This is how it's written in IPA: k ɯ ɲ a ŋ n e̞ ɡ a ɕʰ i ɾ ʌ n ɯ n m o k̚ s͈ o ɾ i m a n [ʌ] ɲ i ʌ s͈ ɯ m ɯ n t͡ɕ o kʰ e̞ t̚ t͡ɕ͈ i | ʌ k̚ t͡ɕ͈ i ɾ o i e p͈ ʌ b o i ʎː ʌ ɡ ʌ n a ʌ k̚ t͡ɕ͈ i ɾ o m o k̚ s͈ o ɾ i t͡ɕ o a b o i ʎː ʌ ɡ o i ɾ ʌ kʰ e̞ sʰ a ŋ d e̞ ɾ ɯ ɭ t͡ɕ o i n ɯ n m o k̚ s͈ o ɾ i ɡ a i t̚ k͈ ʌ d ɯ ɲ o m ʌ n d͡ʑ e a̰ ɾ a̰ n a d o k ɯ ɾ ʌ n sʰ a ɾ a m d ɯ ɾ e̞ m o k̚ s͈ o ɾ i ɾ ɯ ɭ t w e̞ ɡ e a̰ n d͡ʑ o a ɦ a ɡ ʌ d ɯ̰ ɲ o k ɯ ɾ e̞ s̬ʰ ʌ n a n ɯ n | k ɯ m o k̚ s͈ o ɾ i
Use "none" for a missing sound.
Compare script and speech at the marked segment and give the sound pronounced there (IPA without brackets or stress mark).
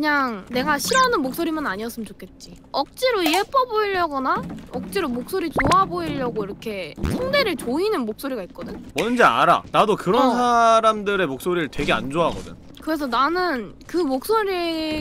a